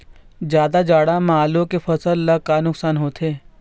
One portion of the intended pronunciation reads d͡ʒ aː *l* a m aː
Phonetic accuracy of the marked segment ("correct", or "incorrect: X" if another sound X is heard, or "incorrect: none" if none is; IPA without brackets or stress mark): incorrect: ɽ